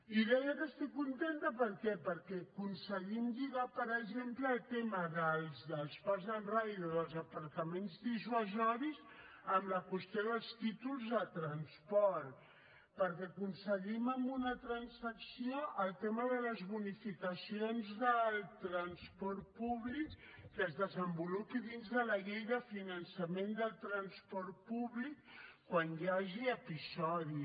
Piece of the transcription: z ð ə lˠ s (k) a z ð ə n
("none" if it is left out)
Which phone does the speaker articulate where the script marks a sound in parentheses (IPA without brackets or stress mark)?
p